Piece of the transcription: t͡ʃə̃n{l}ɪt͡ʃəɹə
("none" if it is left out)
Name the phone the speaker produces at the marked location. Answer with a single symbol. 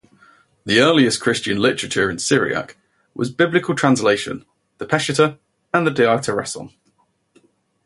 l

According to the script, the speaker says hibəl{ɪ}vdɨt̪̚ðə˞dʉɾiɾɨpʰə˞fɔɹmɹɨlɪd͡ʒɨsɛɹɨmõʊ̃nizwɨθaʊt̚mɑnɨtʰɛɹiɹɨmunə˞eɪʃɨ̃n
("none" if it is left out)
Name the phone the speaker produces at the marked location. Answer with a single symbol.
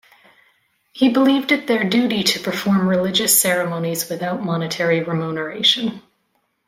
i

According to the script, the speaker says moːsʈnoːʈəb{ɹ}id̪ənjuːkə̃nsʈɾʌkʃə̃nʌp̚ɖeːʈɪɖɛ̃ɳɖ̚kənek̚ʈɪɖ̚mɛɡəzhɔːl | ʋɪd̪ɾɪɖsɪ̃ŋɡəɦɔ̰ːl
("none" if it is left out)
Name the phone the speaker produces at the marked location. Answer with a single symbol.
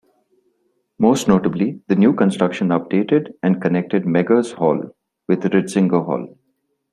l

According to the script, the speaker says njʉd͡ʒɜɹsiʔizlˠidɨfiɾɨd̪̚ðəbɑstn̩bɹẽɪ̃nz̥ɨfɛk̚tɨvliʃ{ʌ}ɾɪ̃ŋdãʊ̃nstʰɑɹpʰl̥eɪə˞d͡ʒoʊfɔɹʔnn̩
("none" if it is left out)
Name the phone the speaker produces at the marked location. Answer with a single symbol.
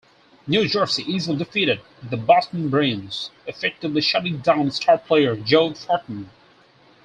ʌ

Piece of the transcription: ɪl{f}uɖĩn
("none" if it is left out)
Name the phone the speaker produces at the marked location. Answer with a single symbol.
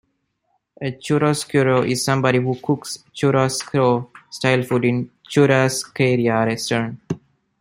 f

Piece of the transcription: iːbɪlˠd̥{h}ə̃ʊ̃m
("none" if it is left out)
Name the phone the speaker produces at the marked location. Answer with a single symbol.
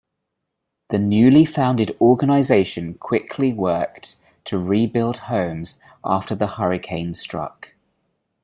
h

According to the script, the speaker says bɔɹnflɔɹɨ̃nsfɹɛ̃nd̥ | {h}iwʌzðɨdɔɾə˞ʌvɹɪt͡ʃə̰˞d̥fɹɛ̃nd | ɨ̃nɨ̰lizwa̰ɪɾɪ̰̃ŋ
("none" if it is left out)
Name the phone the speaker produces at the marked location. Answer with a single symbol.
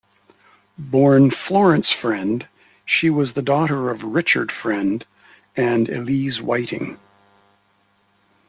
ʃ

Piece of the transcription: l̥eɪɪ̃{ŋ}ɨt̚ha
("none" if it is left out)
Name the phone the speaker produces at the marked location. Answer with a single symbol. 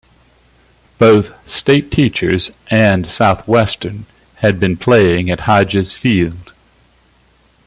ŋ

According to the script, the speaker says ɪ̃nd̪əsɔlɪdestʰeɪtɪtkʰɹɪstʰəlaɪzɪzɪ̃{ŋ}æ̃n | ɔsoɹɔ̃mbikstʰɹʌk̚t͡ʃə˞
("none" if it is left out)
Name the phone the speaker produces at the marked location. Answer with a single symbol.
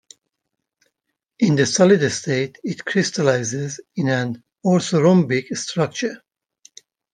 n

